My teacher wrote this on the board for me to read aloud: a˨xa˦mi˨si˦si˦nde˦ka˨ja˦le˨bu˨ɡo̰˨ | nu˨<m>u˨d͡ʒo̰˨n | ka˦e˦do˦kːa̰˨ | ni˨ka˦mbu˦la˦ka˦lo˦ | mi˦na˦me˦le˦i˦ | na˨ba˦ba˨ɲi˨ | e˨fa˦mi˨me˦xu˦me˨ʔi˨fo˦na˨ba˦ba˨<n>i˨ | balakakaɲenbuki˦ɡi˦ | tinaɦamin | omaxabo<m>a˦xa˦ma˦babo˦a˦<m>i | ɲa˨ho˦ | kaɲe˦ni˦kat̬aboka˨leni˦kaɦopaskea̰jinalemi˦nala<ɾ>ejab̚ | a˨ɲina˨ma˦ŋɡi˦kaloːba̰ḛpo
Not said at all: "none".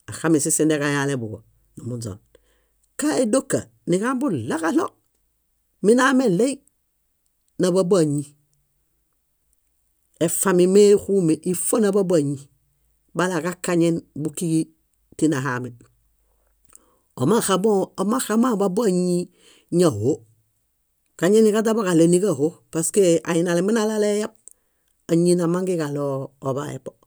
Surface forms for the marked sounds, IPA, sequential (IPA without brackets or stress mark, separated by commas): m, ɲ, m, ɲ, l